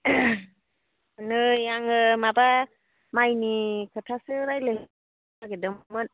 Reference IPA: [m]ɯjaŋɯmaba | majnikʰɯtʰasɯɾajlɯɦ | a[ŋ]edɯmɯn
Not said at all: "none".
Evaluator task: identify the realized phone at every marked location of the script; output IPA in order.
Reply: n, ɡ

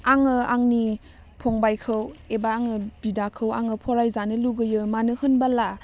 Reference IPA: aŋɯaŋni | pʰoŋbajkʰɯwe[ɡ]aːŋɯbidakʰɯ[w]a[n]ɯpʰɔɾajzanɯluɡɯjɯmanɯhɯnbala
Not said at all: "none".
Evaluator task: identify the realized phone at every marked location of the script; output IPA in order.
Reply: b, w, ŋ

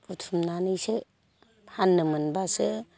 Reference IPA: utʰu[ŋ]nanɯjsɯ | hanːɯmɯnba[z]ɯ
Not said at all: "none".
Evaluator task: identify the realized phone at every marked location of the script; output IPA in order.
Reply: m, s

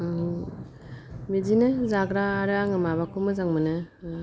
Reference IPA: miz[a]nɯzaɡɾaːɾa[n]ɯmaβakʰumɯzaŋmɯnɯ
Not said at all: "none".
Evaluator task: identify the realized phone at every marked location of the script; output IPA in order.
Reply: i, ŋ

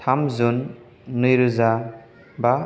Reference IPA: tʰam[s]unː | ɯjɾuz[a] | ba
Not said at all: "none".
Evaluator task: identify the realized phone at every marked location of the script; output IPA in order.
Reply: z, a

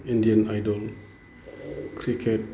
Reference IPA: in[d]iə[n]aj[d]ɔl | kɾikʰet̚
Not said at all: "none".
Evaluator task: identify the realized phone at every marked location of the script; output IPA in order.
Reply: d, n, d

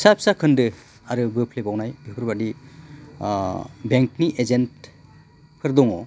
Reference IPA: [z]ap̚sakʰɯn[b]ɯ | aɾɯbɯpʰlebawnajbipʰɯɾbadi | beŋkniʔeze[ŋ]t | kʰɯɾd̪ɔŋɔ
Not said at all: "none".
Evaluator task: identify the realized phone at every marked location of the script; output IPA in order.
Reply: s, d, n

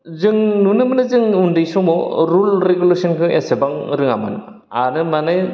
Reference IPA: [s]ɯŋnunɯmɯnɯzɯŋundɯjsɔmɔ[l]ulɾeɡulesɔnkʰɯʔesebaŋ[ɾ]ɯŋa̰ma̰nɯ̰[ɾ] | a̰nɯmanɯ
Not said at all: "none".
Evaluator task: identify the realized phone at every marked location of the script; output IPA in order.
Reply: z, ɾ, ɾ, none

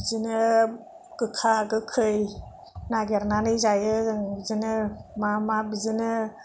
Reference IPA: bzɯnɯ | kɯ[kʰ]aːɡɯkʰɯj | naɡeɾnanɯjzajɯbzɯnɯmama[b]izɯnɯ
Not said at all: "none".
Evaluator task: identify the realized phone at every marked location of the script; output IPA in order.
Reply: kʰ, b

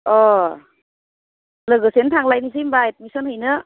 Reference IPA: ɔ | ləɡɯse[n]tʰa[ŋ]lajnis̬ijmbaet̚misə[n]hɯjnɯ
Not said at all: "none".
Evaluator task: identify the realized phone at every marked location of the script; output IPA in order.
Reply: n, ŋ, n

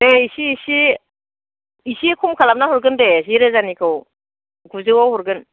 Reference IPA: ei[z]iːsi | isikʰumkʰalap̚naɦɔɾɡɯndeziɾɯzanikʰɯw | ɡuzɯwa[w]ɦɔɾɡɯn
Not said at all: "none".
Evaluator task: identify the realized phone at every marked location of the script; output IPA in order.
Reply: s, w

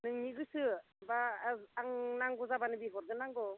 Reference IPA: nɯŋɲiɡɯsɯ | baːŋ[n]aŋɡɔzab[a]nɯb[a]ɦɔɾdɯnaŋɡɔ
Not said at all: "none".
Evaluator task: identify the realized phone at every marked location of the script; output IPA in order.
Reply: n, a, i

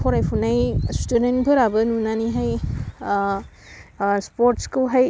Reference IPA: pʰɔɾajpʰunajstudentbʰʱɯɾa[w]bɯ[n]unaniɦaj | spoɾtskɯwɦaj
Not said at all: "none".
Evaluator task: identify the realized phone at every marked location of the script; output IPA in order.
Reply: none, n

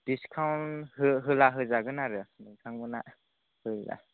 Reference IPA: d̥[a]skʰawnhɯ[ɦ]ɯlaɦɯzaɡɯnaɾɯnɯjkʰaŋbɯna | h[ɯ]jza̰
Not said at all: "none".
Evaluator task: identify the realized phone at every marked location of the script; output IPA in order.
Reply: i, ɦ, ɯ

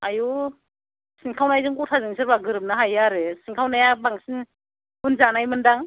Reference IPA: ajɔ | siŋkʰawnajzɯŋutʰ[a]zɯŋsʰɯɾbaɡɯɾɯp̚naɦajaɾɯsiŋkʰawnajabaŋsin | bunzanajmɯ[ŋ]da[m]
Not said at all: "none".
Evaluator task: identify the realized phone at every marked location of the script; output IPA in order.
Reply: a, n, ŋ

